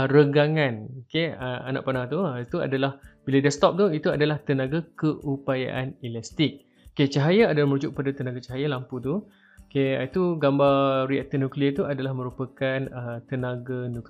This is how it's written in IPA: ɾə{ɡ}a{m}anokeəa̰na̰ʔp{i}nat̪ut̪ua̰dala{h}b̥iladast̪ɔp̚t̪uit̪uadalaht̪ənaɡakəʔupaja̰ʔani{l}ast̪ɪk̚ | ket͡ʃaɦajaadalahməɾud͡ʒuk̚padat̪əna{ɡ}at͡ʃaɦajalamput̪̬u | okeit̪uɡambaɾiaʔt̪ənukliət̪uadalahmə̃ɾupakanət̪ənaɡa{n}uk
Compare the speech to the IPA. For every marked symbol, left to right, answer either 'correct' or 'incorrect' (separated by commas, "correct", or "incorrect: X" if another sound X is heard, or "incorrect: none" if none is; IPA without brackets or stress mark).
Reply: correct, incorrect: ŋ, incorrect: a, correct, correct, correct, correct